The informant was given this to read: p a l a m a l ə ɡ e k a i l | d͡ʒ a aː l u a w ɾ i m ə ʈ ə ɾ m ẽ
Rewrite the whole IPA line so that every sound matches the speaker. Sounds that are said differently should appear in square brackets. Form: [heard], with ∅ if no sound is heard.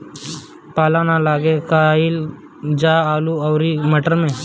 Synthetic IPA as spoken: p a l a [n] a l [a] ɡ e k a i l | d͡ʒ a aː l u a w ɾ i m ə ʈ ə ɾ m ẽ

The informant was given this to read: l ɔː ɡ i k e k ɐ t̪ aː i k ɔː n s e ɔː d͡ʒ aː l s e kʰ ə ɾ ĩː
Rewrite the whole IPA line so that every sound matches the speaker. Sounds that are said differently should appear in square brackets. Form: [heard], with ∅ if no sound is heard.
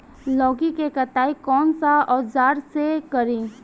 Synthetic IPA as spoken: l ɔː ɡ i k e k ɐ t̪ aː i k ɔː n s [a] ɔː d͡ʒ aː [ɾ] s e [k] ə ɾ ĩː

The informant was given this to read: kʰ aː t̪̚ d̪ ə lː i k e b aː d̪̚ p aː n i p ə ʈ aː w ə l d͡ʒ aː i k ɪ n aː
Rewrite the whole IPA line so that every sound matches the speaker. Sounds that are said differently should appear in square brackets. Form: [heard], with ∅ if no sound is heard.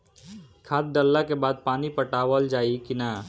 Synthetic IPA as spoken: kʰ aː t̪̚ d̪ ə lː [a] k e b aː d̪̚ p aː n i p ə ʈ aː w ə l d͡ʒ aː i k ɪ n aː

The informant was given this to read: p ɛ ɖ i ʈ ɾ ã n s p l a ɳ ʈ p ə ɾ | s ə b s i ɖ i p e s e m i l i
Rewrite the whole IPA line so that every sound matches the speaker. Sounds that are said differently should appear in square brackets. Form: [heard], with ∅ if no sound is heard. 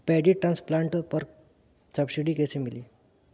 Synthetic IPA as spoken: p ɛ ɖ i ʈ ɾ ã n s p l a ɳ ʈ p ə ɾ | s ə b s i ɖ i [k] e s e m i l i

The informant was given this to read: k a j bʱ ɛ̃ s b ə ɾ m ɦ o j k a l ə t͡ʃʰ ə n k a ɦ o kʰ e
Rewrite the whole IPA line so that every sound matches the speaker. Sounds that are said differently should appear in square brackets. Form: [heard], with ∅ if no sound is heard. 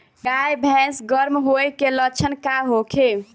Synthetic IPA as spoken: [ɡ] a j bʱ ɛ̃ s [ɡ] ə ɾ m ɦ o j k [e] l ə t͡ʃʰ ə n k a ɦ o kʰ e

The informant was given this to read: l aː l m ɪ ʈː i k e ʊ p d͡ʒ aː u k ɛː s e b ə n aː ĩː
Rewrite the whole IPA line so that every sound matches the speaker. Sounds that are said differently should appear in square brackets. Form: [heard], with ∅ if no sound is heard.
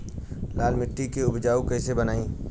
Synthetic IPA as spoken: l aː l m ɪ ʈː i k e ʊ [b] d͡ʒ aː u k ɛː s e b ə n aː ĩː

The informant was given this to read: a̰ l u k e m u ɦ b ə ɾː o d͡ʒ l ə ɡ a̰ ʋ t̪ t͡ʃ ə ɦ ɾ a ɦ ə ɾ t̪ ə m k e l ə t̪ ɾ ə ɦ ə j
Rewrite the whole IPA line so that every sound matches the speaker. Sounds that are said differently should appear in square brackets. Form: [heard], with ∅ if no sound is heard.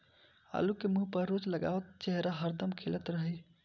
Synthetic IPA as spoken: a̰ l u k e m u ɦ [p] ə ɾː o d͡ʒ l ə ɡ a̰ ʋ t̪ t͡ʃ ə ɦ ɾ a ɦ ə ɾ [d̪] ə m [kʰ] e l ə t̪ ɾ ə ɦ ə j

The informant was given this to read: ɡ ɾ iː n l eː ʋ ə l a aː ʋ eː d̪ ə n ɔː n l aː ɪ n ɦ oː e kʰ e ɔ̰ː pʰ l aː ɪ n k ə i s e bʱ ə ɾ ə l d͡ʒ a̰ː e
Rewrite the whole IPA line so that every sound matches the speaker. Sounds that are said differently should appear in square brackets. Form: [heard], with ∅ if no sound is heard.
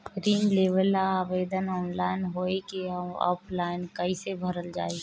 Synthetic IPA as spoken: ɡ ɾ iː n l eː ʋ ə l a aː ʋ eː d̪ ə n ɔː n l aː ɪ n ɦ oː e [k] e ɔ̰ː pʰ l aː ɪ n k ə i s e bʱ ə ɾ ə l d͡ʒ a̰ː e

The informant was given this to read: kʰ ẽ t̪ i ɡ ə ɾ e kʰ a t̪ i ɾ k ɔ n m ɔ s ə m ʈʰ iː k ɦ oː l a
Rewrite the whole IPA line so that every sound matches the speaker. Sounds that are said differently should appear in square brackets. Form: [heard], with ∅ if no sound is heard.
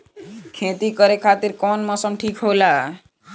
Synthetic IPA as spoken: kʰ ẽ t̪ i [k] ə ɾ e kʰ a t̪ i ɾ k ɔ n m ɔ s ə m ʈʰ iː k ɦ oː l a

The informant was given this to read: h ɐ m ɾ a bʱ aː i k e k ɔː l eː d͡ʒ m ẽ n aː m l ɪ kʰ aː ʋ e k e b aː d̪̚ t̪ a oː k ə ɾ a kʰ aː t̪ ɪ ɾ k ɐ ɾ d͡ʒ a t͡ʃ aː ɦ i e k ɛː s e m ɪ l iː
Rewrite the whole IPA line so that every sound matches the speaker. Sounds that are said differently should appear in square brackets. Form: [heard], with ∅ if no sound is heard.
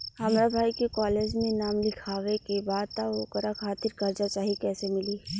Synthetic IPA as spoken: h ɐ m ɾ a bʱ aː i k e k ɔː l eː d͡ʒ m ẽ n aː m l ɪ kʰ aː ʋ e k e b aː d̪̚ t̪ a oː k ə ɾ a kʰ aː t̪ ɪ ɾ k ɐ ɾ d͡ʒ a t͡ʃ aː ɦ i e k ɛː s e m ɪ l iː

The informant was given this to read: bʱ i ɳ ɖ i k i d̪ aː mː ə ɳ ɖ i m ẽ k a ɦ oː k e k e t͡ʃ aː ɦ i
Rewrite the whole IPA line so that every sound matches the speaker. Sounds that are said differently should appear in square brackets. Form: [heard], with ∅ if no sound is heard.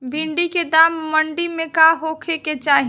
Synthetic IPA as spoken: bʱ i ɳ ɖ i k [e] d̪ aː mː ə ɳ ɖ i m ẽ k a ɦ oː [kʰ] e k e t͡ʃ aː ɦ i

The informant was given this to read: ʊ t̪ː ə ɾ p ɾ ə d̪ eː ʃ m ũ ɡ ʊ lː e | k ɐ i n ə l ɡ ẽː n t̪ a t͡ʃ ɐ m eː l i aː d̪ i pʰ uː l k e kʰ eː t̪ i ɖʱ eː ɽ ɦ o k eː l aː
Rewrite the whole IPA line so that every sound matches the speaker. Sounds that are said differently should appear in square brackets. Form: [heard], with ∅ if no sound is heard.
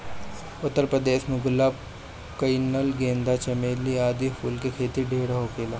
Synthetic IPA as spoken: ʊ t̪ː ə ɾ p ɾ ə d̪ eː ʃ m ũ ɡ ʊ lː [a] | k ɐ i n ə l ɡ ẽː n [d̪] a t͡ʃ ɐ m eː l i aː d̪ i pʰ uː l k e kʰ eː t̪ i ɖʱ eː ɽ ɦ o k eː l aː

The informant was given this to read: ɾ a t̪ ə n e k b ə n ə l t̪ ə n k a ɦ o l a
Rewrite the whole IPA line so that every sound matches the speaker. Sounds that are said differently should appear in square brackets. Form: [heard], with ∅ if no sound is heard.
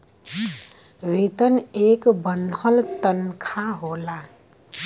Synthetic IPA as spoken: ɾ [i] t̪ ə n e k b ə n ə l t̪ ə n [kʰ] a ɦ o l a

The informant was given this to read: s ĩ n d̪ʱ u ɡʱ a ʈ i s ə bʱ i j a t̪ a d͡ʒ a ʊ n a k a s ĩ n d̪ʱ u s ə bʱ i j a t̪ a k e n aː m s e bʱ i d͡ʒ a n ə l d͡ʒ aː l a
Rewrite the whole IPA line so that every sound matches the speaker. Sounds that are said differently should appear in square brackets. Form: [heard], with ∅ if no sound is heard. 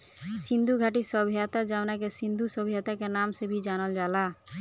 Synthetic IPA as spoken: s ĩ n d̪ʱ u ɡʱ a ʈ i s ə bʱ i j a t̪ a d͡ʒ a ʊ n a k [e] s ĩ n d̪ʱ u s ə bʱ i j a t̪ a k e n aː m s e bʱ i d͡ʒ a n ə l d͡ʒ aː l a

